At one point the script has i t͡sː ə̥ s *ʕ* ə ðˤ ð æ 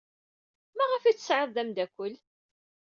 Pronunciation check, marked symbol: correct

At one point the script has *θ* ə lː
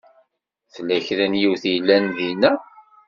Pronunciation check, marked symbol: correct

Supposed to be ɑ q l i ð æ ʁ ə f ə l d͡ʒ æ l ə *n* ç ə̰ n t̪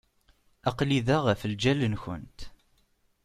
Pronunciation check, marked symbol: correct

